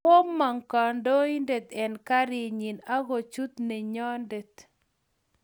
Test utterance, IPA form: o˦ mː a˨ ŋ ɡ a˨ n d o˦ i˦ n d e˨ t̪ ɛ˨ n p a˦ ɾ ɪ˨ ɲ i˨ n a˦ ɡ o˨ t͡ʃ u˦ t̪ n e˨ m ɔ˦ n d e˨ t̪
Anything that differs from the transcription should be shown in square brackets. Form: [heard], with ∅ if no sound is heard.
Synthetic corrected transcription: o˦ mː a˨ ŋ [k] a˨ n d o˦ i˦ n d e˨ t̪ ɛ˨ n [k] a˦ ɾ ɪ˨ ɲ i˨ n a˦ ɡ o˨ t͡ʃ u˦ t̪ n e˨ [ɲ] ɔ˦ n d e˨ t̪